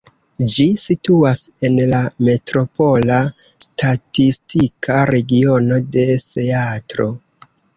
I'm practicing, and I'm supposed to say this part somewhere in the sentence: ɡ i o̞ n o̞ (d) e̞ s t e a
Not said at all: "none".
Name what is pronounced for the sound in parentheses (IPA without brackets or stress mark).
d